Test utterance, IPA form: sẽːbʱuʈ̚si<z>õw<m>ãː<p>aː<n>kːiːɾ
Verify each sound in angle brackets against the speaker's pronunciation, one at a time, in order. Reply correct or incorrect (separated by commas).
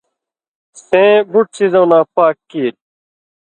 correct, incorrect, correct, incorrect